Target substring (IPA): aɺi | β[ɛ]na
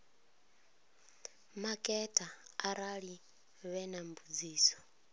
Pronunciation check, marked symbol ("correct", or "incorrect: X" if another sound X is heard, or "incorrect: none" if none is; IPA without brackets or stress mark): correct